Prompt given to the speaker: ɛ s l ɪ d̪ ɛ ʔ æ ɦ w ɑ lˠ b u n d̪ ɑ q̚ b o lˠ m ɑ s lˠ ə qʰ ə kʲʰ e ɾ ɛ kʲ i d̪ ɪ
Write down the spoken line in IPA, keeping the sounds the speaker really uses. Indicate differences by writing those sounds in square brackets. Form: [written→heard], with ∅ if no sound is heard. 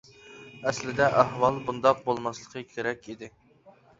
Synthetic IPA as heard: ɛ s l ɪ d̪ ɛ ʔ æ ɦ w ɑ lˠ b u n d̪ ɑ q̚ b o lˠ m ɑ s lˠ ə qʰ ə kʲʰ e ɾ ɛ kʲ i d̪ ɪ